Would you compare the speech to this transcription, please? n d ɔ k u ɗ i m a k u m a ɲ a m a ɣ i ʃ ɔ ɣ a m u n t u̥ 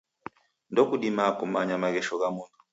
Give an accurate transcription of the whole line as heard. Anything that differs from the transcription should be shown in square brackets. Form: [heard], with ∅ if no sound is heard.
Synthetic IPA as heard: n d ɔ k u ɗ i m a k u m a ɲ a m a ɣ [ɛ] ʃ ɔ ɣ a m u n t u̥